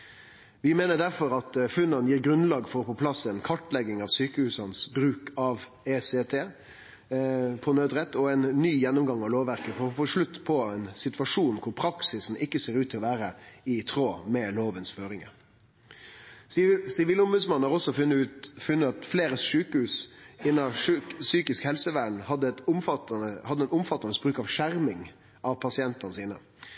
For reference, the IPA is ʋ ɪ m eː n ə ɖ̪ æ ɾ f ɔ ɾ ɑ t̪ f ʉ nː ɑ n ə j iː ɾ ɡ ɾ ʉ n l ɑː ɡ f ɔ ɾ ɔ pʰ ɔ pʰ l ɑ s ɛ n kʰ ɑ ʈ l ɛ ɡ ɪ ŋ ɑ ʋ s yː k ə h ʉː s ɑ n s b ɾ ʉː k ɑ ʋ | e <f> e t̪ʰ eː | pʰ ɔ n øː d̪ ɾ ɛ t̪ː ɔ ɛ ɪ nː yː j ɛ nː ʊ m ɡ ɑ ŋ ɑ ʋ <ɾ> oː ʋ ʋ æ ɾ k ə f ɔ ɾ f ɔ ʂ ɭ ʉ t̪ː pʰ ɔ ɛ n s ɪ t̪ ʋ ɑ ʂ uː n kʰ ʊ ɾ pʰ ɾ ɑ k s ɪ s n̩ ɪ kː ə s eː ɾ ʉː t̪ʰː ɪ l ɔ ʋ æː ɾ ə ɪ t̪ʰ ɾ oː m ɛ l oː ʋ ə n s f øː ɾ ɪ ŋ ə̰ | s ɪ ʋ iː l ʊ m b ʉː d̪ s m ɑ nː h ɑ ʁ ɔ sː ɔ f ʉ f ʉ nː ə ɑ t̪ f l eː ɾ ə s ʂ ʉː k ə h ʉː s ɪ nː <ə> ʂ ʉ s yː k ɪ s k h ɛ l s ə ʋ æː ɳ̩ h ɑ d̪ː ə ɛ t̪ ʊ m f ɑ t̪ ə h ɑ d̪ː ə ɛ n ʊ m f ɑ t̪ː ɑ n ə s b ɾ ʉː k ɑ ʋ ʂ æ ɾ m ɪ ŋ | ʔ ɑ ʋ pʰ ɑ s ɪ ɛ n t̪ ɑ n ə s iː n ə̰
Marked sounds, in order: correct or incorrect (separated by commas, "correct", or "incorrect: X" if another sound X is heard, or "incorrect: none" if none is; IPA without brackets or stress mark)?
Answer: incorrect: s, incorrect: l, incorrect: ɑ